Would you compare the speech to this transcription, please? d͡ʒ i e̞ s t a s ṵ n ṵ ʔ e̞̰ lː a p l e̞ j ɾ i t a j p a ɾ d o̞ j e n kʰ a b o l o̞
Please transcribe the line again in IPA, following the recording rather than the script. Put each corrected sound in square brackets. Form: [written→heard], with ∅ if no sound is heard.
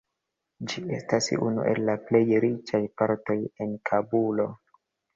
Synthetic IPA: d͡ʒ i e̞ s t a s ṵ n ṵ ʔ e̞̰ lː a p l e̞ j ɾ i [t→t͡ʃ] a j p a ɾ [d→t] o̞ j e n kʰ a b [o→u] l o̞